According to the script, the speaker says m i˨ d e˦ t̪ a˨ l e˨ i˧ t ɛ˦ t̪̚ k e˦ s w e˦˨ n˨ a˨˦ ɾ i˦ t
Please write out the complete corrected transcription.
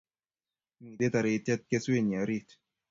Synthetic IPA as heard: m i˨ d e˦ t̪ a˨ ɾ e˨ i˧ t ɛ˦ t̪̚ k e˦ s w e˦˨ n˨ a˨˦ ɾ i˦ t